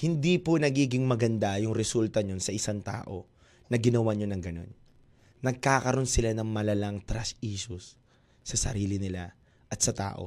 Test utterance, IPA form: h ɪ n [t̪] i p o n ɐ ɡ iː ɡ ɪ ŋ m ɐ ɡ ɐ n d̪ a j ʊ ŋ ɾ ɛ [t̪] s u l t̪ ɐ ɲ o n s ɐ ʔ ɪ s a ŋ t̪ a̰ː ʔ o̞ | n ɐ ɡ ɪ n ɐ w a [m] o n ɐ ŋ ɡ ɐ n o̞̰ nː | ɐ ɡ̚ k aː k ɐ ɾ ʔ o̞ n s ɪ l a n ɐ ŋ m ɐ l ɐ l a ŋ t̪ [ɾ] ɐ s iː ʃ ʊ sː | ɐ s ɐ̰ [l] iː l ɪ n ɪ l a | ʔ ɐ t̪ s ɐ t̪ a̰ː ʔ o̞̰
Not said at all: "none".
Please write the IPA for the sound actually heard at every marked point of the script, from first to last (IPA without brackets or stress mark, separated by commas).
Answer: d̪, none, ɲ, ɾ, ɾ